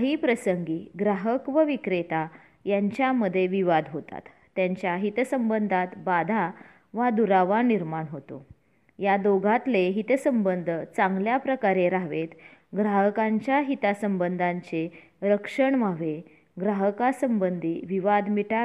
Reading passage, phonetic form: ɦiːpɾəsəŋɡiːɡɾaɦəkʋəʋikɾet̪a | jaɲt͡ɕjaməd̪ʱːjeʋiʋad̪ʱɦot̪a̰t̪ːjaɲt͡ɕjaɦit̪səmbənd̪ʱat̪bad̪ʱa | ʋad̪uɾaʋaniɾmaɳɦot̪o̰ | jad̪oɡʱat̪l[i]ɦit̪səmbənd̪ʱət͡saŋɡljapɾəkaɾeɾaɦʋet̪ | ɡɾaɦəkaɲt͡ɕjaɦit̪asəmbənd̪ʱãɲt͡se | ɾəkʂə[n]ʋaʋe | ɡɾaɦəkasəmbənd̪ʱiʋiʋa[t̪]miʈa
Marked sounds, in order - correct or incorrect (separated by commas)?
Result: incorrect, incorrect, incorrect